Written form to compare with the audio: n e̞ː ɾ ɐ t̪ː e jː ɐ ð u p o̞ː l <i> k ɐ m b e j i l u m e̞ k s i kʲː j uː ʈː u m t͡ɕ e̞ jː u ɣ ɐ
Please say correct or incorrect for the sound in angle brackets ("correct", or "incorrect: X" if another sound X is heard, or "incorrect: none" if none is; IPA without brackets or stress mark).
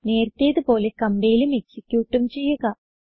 incorrect: e